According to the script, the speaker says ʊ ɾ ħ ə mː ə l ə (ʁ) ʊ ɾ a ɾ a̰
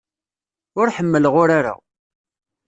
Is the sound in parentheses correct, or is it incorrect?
correct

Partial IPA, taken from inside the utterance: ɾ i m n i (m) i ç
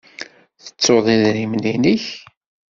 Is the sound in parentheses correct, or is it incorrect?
incorrect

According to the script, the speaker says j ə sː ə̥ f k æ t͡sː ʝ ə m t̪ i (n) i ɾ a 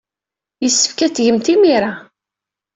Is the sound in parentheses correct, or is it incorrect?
incorrect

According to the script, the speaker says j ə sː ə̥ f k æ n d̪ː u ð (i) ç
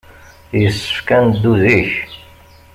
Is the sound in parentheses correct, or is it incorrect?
correct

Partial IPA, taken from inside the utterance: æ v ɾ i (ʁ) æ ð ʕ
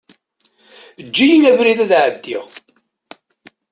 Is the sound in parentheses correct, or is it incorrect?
incorrect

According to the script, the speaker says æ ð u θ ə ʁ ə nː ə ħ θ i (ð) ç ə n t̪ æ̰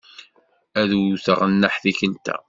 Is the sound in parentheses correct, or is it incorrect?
incorrect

